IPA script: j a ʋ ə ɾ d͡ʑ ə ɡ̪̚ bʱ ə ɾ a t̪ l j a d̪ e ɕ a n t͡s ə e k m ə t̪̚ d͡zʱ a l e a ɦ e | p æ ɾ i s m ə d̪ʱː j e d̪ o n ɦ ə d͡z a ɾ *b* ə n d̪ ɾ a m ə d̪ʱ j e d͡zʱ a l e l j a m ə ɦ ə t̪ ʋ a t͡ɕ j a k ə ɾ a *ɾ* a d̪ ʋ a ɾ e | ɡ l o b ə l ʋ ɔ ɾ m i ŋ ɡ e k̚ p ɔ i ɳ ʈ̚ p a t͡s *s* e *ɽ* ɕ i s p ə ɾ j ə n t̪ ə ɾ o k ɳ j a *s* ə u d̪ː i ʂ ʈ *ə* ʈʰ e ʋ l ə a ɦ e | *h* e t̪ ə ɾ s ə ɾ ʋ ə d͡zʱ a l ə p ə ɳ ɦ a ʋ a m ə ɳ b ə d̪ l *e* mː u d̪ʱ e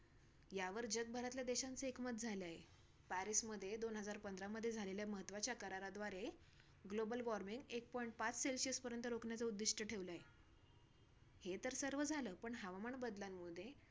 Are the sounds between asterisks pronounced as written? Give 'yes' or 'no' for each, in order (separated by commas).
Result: no, yes, yes, no, no, yes, yes, no